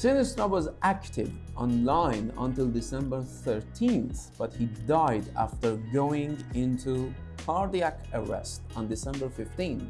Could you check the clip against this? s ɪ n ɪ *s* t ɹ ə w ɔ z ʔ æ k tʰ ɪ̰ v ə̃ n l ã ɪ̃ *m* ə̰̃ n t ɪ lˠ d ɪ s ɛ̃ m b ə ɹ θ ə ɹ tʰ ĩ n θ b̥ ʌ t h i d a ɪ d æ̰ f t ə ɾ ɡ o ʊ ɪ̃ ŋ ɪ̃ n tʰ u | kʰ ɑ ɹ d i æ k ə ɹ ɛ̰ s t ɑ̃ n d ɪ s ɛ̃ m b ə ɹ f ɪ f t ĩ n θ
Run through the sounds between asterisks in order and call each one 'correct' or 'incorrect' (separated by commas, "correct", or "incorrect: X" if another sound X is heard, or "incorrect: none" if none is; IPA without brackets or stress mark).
correct, incorrect: n